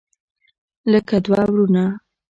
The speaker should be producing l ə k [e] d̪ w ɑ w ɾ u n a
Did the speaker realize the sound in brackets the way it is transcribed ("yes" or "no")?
no